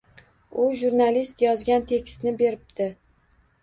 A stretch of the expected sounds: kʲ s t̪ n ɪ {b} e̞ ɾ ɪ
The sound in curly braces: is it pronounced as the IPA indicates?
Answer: yes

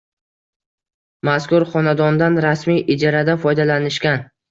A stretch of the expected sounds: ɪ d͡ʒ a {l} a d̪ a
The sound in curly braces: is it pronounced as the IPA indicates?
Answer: no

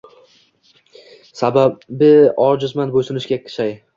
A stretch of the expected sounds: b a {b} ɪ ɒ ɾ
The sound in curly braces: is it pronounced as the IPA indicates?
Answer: yes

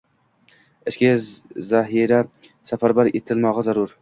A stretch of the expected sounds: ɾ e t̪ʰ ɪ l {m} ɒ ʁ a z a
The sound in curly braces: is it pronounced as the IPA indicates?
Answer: yes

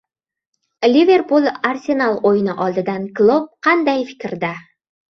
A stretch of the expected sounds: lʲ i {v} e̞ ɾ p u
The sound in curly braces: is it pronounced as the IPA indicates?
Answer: yes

